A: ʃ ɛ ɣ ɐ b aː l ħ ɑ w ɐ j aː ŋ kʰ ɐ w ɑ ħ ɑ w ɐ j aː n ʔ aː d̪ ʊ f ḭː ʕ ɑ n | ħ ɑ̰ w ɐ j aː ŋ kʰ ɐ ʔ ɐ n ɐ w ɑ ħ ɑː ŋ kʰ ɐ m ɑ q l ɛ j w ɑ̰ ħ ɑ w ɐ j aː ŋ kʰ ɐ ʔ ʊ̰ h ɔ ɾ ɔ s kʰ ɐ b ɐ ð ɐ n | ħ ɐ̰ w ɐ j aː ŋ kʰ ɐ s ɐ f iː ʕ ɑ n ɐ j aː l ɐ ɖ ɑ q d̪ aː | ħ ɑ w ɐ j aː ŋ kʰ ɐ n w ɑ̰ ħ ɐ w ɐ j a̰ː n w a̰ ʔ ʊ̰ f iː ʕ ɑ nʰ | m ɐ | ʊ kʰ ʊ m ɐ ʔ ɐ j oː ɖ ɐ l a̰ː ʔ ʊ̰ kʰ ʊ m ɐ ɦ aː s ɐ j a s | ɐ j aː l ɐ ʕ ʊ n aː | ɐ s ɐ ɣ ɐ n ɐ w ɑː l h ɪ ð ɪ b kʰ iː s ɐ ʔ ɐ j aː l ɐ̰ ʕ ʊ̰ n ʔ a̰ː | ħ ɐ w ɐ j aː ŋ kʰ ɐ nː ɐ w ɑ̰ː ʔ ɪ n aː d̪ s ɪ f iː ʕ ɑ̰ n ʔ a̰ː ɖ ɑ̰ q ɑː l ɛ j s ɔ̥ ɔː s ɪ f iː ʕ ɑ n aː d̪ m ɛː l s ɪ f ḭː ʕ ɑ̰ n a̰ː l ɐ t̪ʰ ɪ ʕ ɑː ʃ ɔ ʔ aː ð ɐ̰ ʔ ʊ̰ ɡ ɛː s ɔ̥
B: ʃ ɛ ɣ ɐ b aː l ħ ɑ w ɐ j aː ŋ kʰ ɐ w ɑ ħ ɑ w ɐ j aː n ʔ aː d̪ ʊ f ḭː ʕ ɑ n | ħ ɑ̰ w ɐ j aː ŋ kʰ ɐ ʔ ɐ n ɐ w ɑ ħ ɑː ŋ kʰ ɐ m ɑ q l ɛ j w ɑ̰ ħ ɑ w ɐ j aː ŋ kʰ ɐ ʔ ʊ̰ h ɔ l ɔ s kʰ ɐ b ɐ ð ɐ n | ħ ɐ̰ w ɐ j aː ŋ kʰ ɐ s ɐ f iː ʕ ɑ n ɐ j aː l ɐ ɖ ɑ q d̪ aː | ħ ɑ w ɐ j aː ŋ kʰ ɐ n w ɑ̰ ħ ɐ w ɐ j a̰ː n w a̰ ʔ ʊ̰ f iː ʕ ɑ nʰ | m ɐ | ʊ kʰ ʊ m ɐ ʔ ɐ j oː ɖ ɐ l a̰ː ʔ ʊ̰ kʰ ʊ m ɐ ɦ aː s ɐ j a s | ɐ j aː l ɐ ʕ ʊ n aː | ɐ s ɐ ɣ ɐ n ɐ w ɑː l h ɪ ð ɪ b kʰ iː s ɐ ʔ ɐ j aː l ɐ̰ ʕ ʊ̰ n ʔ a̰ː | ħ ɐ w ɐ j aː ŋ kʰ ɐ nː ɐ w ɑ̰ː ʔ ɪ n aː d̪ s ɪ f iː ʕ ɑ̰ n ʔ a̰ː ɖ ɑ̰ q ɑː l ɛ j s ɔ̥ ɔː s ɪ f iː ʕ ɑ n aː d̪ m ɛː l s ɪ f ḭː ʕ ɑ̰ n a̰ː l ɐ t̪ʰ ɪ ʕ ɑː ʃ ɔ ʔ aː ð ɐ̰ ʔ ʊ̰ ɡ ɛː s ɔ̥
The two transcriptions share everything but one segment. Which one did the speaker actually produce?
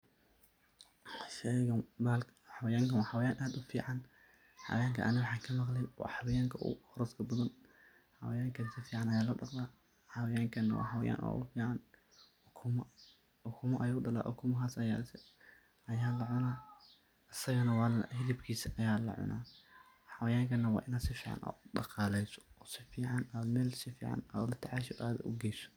A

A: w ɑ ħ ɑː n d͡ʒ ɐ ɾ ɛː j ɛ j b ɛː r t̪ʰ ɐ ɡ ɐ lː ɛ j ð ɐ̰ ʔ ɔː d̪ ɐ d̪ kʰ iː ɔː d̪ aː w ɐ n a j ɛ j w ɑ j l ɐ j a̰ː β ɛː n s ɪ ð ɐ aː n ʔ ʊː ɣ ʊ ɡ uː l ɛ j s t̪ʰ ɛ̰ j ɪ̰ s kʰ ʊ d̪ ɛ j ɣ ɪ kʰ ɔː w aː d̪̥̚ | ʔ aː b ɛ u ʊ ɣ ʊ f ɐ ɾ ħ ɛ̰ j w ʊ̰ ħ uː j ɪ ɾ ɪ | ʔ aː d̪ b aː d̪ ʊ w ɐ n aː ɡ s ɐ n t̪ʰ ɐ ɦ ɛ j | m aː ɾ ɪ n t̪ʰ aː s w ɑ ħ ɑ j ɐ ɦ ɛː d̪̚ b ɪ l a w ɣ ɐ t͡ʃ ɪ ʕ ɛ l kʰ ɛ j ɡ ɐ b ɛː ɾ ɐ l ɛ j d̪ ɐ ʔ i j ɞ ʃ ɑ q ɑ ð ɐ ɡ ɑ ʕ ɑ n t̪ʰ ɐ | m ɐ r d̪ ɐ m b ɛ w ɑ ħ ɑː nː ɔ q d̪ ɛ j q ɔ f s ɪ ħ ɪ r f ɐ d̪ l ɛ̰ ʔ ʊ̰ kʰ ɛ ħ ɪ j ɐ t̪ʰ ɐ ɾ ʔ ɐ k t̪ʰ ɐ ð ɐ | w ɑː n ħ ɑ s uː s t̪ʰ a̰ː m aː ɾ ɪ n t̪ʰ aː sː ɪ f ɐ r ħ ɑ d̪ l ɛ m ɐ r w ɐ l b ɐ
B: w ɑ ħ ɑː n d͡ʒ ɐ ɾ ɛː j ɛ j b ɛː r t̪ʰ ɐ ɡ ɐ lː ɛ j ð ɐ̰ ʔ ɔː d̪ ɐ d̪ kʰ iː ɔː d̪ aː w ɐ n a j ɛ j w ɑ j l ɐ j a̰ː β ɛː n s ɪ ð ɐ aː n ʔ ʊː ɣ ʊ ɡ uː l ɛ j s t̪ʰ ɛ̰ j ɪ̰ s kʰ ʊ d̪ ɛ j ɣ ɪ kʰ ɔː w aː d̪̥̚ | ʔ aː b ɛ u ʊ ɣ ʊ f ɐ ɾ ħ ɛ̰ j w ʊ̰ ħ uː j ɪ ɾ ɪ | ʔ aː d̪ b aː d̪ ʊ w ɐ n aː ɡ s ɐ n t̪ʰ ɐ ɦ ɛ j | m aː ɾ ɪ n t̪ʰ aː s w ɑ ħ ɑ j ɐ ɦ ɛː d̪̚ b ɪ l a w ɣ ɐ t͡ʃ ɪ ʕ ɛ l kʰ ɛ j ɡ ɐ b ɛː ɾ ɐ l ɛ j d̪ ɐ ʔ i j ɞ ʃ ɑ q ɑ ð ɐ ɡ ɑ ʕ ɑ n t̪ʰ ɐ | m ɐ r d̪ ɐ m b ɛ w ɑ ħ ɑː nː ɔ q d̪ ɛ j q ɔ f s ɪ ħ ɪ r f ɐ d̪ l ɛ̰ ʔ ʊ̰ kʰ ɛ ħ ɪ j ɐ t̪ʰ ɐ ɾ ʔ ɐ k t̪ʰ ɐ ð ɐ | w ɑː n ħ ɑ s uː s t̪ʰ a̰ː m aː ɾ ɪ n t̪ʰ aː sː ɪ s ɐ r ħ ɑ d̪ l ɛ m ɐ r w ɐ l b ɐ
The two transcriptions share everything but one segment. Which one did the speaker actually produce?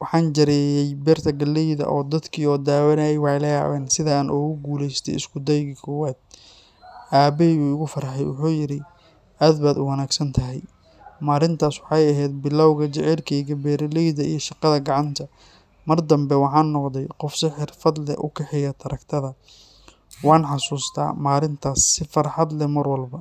A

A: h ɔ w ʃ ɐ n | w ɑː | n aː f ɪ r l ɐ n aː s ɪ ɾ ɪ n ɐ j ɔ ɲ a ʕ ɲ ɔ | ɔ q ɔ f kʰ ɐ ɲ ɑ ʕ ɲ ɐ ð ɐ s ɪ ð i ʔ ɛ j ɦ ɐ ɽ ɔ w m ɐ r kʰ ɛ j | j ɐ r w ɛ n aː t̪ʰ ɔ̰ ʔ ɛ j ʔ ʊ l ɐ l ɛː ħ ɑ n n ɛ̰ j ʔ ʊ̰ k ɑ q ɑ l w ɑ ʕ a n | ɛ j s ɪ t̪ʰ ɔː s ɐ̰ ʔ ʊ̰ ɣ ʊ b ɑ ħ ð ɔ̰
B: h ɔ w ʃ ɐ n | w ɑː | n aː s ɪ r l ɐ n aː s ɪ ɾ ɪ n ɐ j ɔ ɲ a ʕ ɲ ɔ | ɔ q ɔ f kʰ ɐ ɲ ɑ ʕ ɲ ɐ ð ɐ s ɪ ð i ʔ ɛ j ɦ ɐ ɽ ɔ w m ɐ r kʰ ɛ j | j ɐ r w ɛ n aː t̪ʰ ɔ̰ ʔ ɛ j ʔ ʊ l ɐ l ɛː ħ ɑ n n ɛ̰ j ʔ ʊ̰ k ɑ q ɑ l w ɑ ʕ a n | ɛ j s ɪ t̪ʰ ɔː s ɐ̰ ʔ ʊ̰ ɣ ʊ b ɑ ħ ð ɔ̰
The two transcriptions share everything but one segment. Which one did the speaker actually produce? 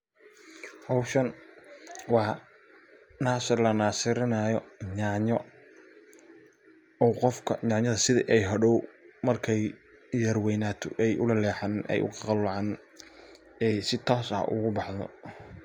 B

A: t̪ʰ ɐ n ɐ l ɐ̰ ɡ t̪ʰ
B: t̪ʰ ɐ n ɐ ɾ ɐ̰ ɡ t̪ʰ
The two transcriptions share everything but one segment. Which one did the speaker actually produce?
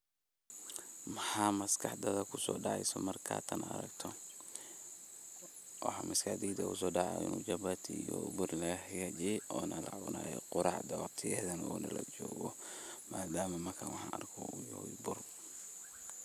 B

